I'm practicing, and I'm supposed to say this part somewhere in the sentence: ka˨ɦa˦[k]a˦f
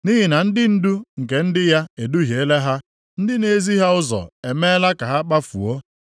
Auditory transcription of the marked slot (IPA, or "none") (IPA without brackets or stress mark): k͡p